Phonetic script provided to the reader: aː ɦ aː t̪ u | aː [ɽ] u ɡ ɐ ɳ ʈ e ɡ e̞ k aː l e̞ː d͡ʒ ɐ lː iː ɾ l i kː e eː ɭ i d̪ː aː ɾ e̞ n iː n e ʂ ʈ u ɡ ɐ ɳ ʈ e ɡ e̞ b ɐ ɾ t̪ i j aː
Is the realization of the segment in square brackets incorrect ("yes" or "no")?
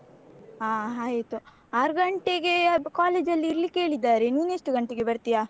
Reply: yes